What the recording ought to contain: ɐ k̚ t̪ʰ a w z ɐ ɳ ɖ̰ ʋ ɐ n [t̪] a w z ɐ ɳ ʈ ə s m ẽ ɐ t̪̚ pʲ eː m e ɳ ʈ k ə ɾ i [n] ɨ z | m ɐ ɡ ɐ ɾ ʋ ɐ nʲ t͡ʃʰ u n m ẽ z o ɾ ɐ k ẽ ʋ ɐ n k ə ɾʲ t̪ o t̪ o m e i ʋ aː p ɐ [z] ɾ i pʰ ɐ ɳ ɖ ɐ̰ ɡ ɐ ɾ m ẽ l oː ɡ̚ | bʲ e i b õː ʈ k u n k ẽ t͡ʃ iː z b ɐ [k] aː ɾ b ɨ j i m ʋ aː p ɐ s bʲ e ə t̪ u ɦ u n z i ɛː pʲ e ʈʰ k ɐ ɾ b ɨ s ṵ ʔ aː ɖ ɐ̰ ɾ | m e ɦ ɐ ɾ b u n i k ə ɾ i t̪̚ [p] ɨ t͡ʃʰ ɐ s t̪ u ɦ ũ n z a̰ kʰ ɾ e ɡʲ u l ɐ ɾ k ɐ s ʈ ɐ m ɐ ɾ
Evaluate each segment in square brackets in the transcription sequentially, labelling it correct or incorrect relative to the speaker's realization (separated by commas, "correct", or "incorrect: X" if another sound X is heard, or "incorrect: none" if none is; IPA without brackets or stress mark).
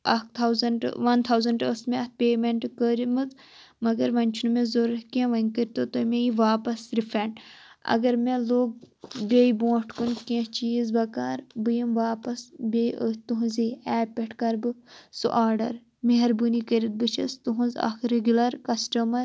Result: incorrect: t̪ʰ, incorrect: m, incorrect: s, correct, incorrect: b